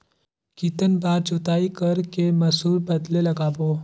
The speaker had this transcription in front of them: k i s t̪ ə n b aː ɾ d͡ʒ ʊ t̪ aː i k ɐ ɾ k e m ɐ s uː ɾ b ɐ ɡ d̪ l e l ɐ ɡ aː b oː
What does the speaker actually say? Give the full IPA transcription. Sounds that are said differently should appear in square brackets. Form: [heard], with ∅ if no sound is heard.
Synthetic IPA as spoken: k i [∅] t̪ ə n b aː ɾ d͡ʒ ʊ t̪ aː i k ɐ ɾ k e m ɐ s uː ɾ b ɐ [∅] d̪ l e l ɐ ɡ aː b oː